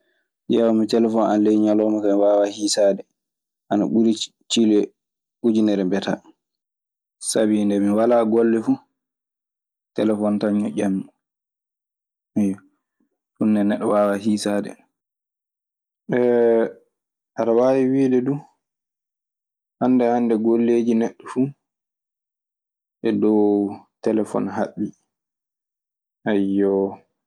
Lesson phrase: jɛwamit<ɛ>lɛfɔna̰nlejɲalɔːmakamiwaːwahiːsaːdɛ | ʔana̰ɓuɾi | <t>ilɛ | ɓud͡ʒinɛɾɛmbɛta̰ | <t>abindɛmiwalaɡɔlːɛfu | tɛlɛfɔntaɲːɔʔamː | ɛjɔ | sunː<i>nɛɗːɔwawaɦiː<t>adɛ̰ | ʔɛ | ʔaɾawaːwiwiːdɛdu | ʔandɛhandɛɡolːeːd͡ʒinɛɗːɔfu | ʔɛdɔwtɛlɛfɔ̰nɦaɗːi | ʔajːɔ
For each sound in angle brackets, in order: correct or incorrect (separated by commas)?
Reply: correct, incorrect, incorrect, incorrect, incorrect